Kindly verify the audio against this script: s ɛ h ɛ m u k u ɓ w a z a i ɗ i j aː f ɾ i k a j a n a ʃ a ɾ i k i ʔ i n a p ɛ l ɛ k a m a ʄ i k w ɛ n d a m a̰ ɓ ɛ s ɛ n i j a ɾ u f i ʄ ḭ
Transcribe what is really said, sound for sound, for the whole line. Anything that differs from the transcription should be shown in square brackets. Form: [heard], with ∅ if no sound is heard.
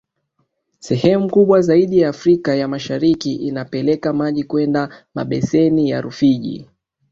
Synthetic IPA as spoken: s ɛ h ɛ m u k u ɓ w a z a i ɗ i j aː f ɾ i k a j a [m] a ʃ a ɾ i k i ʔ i n a p ɛ l ɛ k a m a ʄ i k w ɛ n d a m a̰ ɓ ɛ s ɛ n i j a ɾ u f i ʄ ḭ